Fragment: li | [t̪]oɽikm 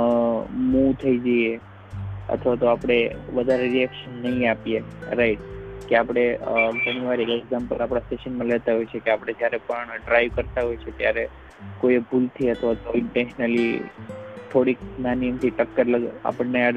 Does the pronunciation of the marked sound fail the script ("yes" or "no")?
yes